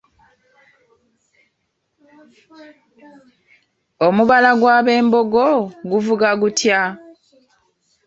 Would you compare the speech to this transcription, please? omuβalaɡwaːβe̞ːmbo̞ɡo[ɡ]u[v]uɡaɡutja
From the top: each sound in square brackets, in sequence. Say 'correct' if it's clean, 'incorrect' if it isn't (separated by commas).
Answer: correct, correct